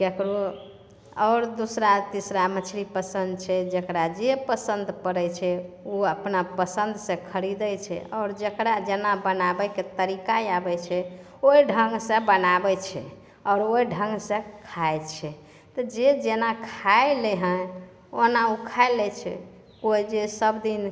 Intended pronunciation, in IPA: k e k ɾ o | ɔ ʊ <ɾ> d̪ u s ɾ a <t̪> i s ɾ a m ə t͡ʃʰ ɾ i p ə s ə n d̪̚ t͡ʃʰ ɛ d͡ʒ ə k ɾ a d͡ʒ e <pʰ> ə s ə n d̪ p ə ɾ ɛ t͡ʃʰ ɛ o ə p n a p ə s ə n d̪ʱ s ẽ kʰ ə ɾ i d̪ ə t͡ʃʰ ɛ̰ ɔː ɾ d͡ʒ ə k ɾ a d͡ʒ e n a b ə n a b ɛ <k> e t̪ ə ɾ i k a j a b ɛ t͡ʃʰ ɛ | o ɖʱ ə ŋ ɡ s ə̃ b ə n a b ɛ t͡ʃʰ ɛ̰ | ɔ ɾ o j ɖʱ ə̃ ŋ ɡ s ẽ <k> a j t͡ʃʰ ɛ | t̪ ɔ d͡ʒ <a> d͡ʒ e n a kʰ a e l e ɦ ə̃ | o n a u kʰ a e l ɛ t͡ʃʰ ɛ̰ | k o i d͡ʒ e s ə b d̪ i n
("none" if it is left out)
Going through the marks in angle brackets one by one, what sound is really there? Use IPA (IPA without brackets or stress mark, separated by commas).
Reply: ɾ, t̪, p, k, kʰ, e